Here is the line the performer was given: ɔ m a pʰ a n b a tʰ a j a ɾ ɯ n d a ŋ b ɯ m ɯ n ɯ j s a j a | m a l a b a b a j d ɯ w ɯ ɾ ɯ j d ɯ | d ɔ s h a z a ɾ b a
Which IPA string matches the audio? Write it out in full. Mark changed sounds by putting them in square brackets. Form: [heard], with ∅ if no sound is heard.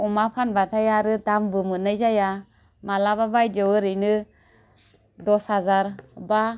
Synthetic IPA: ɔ m a pʰ a n b a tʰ a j a ɾ ɯ [∅] d a [m] b ɯ m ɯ n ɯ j [z] a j a | m a l a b a b a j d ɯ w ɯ ɾ ɯ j [n] ɯ | d ɔ s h a z a ɾ b a